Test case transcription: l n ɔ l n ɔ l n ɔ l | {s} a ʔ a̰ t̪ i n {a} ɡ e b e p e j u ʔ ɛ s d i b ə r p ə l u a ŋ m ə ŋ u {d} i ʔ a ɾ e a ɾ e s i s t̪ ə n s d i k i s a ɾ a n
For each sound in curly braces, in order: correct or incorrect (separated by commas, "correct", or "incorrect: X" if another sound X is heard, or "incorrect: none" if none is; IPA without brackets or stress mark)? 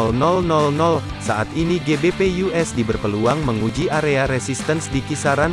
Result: correct, incorrect: i, incorrect: d͡ʒ